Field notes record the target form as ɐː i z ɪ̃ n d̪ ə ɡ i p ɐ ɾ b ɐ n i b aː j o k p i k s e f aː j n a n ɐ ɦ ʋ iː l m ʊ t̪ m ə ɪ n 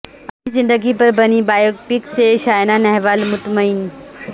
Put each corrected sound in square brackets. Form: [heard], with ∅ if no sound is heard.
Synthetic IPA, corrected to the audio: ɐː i z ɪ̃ n d̪ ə ɡ i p ɐ ɾ b ɐ n i b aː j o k p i k s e [ʃ] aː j n a n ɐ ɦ ʋ [aː] l m ʊ t̪ m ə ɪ n